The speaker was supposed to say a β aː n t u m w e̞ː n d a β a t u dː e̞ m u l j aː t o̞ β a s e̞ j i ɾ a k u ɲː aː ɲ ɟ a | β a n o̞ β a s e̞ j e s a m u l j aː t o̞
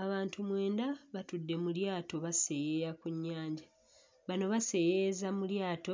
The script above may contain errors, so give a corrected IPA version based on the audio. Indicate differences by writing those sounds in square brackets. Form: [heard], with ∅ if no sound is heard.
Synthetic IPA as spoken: a β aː n t u m w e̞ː n d a β a t u dː e̞ m u l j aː t o̞ β a s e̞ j [e] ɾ a k u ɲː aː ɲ ɟ a | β a n o̞ β a s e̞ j e [z] a m u l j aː t o̞